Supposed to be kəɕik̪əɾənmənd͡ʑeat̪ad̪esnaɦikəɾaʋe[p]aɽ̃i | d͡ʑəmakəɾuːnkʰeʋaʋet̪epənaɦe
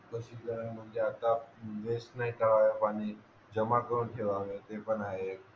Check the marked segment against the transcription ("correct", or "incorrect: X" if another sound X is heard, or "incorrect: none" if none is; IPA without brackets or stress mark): correct